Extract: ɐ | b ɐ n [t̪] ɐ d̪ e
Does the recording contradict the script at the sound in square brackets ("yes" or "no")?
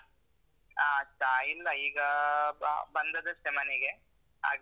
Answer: yes